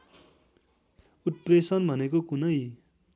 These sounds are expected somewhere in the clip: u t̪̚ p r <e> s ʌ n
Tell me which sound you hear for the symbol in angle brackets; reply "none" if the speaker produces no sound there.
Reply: e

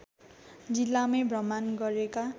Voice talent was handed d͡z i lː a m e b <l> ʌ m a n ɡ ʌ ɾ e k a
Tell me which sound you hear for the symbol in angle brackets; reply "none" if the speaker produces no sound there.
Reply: r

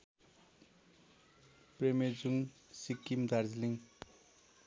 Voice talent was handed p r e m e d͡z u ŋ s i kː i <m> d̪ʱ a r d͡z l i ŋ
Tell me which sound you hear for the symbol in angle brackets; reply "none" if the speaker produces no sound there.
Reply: m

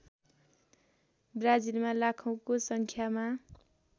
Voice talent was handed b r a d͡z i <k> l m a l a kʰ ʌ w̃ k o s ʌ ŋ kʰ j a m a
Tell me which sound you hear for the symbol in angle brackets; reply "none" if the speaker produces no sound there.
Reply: none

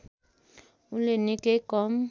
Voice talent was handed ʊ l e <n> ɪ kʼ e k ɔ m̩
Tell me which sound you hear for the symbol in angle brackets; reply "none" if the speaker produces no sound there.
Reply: n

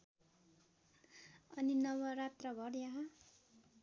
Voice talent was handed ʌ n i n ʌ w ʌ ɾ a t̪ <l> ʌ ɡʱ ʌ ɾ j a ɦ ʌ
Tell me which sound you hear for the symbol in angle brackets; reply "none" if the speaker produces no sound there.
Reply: r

